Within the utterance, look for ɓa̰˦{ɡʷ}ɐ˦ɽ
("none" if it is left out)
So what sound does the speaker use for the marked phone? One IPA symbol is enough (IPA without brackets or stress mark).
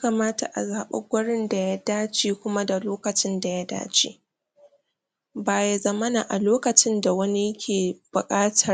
ɡʷ